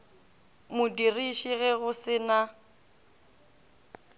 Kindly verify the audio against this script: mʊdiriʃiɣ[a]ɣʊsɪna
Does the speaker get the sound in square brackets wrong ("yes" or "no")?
yes